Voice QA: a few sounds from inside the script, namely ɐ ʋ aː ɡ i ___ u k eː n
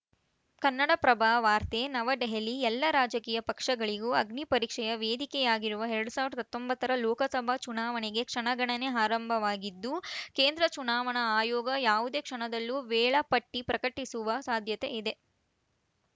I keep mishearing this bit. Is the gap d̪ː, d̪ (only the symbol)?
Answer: d̪ː